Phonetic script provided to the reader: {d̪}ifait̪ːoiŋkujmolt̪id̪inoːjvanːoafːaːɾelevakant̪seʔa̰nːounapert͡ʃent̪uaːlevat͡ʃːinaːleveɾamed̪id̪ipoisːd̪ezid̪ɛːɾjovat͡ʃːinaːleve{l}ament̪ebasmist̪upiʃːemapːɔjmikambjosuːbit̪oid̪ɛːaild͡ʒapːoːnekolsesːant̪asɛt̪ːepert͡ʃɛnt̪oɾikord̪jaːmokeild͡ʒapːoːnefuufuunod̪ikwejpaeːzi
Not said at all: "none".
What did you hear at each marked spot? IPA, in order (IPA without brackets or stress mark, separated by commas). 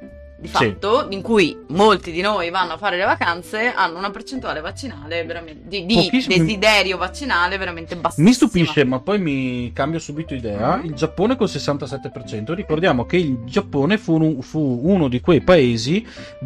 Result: d̪, ɾ